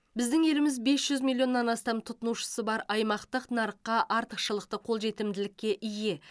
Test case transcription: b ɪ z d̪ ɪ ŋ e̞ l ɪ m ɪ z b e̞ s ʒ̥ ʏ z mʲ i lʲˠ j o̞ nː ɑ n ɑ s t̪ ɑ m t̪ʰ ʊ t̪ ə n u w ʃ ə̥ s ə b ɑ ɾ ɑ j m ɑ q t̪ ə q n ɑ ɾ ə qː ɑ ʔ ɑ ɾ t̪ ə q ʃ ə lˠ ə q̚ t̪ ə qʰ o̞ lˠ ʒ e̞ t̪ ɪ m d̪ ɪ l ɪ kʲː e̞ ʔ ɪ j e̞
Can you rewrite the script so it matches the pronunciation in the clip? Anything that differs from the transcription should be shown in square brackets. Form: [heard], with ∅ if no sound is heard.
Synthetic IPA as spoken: b ɪ z d̪ ɪ ŋ e̞ l ɪ m ɪ z b e̞ s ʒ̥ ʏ z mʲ i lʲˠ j o̞ nː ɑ n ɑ s t̪ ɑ m t̪ʰ ʊ t̪ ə n u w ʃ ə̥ s ə b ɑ ɾ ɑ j m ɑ q t̪ ə q n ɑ ɾ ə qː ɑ ʔ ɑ ɾ t̪ ə q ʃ ə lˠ ə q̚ t̪ ə qʰ o̞ lˠ ʒ e̞ t̪ ɪ m d̪ ɪ l ɪ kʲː e̞ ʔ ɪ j e̞